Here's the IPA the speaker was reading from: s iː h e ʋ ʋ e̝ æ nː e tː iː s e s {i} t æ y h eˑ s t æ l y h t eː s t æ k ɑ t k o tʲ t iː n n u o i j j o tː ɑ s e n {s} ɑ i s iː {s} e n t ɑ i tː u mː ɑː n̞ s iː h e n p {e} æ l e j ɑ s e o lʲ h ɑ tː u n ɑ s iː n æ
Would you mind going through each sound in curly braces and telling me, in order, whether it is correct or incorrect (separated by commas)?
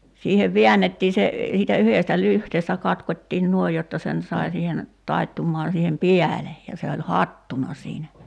incorrect, correct, incorrect, incorrect